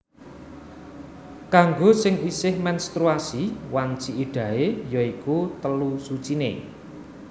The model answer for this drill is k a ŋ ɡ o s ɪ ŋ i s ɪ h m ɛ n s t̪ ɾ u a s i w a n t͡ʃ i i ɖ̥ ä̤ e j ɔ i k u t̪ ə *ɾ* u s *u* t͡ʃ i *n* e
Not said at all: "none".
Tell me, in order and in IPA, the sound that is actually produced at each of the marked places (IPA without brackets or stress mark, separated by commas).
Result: l, u, n